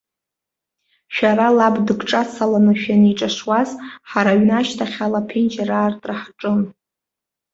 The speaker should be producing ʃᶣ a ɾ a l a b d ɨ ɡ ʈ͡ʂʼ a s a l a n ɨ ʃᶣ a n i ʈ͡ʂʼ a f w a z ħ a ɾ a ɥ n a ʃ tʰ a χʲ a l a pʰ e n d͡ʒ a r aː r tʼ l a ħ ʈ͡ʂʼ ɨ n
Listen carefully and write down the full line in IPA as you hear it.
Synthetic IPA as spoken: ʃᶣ a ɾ a l a b d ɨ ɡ ʈ͡ʂʼ a s a l a n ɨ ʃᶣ a n i ʈ͡ʂʼ a ʂ w a z ħ a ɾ a ɥ n a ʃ tʰ a χʲ a l a pʰ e n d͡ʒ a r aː r tʼ r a ħ ʈ͡ʂʼ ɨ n